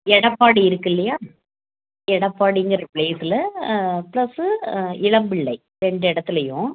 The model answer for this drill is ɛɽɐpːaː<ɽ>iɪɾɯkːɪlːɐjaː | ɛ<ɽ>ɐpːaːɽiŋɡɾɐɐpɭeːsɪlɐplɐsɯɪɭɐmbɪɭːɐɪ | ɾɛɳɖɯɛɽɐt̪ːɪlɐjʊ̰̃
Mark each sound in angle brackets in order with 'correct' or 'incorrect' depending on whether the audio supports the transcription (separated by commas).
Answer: correct, correct